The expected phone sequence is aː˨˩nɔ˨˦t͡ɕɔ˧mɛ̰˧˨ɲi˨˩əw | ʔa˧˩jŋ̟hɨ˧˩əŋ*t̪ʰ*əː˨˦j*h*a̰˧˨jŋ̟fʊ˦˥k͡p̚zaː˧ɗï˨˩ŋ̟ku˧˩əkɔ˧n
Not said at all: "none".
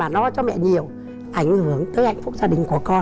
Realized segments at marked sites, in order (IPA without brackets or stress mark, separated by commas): t̪, h